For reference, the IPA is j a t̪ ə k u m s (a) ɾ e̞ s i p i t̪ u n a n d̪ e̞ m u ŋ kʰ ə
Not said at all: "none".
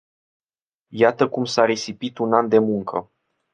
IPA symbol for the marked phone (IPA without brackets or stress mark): a